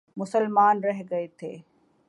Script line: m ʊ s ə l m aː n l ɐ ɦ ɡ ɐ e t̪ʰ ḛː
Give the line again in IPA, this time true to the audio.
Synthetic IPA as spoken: m ʊ s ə l m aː n ɾ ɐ ɦ ɡ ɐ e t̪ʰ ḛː